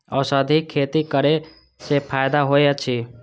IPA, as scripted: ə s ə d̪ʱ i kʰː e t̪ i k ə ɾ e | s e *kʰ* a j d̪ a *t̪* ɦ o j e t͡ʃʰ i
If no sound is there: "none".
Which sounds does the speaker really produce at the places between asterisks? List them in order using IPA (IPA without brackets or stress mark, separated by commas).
pʰ, none